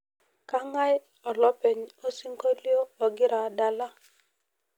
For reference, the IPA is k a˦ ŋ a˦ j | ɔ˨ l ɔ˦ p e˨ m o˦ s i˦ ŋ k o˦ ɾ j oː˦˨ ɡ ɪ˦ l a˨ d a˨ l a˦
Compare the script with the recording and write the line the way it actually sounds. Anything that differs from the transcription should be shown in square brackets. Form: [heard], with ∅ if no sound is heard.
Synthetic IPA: k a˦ ŋ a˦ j | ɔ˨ l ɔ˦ p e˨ [ɲ] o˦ s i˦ ŋ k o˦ [l] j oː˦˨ ɡ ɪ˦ [ɾ] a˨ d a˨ l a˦